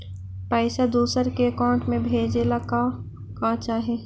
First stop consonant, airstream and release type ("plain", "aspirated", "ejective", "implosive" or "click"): plain